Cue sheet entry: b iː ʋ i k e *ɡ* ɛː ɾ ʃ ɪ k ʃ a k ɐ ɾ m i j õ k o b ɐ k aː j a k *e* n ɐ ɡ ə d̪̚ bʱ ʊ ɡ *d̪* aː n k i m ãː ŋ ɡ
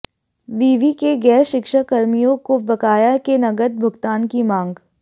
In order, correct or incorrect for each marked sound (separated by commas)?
correct, correct, incorrect